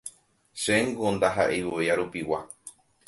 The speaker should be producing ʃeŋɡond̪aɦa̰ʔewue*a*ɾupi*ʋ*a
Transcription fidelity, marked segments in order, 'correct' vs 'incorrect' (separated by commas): correct, incorrect